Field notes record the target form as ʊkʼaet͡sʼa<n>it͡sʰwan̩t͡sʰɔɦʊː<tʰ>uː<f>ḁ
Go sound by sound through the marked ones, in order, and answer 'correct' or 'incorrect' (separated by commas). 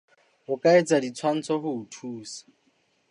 incorrect, correct, incorrect